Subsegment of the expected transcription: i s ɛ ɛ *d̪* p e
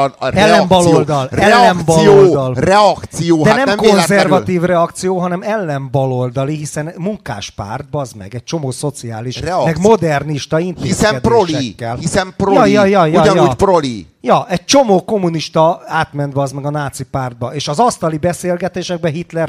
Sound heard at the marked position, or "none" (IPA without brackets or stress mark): d̪